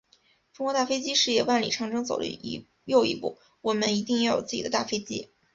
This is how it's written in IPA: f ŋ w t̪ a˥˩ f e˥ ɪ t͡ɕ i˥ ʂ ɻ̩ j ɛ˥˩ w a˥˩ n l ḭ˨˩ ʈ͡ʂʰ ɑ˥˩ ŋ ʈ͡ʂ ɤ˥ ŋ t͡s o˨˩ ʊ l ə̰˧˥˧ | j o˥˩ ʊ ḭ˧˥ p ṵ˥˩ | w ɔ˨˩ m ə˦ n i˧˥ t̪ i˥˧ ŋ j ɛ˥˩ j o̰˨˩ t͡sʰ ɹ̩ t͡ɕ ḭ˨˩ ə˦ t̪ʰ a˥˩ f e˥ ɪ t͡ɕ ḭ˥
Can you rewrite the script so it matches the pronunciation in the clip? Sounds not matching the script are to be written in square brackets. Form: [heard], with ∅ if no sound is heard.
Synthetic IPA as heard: f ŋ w t̪ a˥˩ f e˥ ɪ t͡ɕ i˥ ʂ ɻ̩ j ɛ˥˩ w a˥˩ n l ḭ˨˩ ʈ͡ʂʰ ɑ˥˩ ŋ ʈ͡ʂ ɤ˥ ŋ t͡s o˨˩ ʊ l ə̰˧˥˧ | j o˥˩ ʊ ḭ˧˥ p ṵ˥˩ | w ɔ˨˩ m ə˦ n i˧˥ t̪ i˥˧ ŋ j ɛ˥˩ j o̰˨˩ [t͡s] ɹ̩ t͡ɕ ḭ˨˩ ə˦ [t̪] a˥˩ f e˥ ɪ t͡ɕ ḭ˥